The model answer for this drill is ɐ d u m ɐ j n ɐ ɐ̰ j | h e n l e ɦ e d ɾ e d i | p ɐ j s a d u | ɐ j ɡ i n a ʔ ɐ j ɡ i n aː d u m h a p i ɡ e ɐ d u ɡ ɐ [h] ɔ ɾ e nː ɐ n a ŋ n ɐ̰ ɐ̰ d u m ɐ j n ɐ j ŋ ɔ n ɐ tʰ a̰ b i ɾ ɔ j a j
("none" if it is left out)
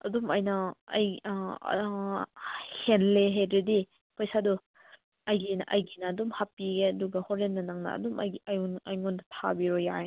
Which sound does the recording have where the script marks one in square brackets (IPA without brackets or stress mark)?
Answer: h